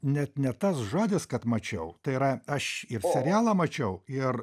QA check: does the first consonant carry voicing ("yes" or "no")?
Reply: yes